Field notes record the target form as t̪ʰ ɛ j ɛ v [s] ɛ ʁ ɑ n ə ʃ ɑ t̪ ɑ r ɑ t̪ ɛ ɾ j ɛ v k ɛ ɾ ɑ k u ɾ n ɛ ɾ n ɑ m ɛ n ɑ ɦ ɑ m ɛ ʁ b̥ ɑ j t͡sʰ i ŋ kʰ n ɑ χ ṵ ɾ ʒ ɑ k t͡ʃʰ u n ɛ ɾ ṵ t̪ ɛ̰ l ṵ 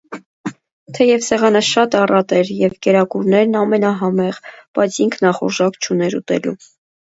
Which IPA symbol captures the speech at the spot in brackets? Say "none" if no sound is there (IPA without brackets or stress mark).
s